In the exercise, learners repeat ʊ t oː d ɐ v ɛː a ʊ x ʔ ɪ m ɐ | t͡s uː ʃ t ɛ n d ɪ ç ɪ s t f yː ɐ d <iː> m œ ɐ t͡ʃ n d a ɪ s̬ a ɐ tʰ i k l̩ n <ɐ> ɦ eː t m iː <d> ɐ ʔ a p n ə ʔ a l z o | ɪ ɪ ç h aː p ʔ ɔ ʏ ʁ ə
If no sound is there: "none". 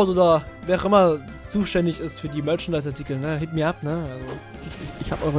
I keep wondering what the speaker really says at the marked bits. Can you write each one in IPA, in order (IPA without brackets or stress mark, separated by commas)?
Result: iː, ə, none